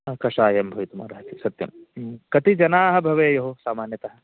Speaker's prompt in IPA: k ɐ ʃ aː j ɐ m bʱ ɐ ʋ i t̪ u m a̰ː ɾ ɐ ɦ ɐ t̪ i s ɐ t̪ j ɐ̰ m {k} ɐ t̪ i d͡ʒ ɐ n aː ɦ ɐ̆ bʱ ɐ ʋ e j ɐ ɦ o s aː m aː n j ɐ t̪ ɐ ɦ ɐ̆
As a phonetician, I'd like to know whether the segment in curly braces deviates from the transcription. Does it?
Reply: no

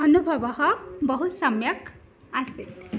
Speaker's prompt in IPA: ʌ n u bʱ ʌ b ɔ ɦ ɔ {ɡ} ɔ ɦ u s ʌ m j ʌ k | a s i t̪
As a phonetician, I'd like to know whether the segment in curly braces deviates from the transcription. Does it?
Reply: yes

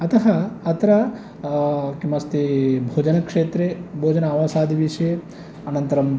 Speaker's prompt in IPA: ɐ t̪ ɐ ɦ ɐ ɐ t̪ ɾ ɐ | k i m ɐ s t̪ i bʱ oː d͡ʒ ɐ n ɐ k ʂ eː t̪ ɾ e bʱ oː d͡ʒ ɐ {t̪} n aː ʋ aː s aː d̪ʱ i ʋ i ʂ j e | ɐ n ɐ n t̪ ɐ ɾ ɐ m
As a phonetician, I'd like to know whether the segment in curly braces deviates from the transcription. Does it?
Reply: yes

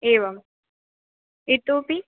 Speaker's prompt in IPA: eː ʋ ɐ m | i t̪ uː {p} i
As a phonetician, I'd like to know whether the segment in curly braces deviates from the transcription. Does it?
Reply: no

